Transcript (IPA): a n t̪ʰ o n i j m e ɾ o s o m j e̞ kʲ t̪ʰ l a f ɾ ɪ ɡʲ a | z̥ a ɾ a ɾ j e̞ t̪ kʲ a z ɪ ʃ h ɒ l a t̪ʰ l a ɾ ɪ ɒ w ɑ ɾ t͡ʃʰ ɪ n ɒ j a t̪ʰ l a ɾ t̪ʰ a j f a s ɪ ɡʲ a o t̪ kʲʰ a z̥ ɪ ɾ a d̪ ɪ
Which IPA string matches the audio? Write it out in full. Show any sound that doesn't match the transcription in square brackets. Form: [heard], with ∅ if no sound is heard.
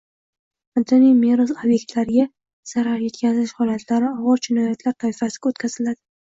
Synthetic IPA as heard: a n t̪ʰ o n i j m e ɾ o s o [b] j e̞ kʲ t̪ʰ l a [∅] ɾ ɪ ɡʲ a | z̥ a ɾ a ɾ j e̞ t̪ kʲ a z ɪ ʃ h ɒ l a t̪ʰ l a ɾ ɪ ɒ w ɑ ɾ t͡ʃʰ ɪ n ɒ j a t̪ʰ l a ɾ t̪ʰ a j f a s ɪ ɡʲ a o t̪ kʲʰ a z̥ ɪ [l] a d̪ ɪ